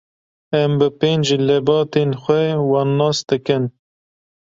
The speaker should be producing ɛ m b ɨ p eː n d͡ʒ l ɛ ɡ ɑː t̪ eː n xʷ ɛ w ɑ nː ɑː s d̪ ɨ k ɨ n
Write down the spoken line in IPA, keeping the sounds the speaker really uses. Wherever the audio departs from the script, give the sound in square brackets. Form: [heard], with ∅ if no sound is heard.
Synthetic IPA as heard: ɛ m b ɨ p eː n d͡ʒ l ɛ [b] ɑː t̪ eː n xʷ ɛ w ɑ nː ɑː s d̪ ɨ k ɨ n